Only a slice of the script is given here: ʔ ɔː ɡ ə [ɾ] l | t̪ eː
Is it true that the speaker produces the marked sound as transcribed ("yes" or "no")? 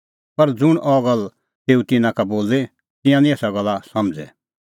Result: no